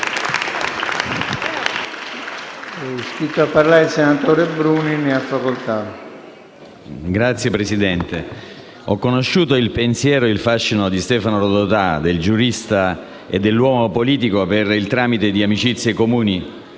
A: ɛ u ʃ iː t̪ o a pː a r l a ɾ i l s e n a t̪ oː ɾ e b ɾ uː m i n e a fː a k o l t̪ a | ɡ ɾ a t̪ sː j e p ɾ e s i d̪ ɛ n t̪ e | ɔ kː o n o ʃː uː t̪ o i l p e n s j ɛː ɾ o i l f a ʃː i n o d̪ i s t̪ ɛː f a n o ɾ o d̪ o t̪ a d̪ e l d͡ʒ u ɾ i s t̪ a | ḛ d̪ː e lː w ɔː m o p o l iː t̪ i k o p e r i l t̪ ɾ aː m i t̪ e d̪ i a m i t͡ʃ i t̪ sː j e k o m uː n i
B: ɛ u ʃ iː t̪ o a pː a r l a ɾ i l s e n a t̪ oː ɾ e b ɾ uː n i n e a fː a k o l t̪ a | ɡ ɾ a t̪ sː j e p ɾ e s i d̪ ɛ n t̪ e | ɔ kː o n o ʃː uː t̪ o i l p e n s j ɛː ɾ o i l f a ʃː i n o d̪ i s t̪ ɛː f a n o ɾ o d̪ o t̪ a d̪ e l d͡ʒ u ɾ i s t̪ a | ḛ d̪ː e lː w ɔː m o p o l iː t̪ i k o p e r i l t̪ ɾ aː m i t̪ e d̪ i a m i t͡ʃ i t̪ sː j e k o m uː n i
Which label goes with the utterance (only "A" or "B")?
B